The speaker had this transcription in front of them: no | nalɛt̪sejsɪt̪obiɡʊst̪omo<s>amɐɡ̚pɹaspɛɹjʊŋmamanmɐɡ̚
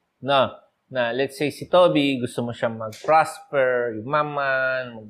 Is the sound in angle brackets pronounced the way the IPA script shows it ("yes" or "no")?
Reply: no